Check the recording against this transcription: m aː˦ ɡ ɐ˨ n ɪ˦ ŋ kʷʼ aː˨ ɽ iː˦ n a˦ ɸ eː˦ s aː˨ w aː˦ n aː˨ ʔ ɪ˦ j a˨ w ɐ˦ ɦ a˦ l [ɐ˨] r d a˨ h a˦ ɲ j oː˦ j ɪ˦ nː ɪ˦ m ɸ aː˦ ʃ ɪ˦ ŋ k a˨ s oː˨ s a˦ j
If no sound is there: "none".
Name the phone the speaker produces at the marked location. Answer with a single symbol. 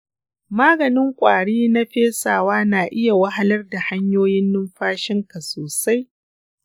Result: ɐ˦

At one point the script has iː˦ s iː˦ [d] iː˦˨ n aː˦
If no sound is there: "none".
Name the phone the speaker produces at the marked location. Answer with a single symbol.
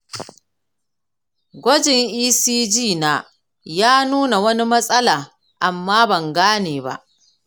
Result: d͡ʒ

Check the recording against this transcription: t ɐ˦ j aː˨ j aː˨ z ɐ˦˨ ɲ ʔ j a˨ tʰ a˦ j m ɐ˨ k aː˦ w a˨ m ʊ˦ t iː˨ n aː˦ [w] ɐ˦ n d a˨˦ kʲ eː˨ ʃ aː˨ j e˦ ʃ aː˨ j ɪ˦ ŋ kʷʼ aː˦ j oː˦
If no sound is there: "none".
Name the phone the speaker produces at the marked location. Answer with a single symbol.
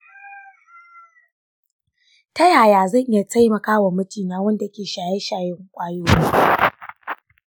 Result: w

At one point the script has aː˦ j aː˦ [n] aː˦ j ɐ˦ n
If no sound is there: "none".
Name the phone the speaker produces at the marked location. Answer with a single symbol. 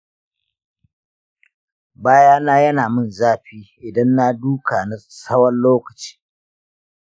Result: n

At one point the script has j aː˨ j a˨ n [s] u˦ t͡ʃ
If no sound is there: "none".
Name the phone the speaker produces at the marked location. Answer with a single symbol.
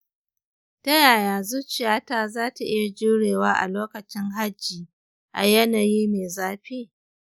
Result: z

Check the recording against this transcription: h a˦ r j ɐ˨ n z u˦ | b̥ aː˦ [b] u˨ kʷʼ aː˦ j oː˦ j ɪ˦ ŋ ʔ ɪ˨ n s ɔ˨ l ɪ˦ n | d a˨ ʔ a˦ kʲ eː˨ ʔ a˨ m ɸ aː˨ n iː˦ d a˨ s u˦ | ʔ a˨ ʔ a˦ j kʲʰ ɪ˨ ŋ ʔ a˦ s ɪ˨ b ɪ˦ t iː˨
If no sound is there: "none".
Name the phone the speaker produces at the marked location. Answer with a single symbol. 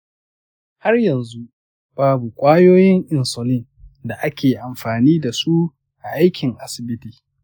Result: b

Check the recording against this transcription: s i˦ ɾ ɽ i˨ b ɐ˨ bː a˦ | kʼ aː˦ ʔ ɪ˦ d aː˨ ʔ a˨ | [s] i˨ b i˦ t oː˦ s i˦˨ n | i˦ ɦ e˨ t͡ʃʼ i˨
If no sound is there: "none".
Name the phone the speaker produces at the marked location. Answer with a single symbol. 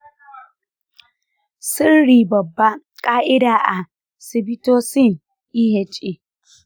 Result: s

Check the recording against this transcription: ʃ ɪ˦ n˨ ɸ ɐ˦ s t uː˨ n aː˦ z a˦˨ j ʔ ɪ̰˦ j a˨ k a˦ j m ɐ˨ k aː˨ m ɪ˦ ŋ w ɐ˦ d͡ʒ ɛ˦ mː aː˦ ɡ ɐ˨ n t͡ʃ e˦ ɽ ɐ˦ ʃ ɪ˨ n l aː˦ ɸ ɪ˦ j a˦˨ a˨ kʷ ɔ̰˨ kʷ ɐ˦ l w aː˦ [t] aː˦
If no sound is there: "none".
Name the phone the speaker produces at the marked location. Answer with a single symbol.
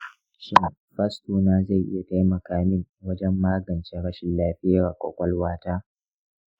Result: t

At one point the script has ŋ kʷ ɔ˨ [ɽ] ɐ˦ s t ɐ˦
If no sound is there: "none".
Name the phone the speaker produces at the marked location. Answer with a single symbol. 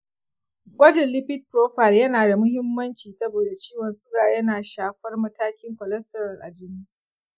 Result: l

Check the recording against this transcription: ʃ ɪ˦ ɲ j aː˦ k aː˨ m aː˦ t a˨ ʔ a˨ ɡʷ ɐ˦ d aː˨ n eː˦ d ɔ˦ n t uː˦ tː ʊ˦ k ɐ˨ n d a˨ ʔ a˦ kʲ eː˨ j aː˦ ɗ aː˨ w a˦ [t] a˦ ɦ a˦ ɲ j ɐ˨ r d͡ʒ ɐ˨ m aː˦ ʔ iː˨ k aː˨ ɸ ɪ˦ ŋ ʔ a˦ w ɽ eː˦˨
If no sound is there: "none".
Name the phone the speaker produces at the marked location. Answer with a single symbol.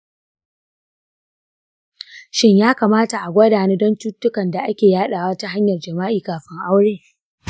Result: t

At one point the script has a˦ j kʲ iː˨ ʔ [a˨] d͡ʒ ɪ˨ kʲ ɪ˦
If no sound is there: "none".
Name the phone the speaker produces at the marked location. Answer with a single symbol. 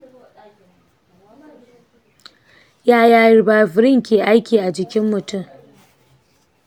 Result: a˨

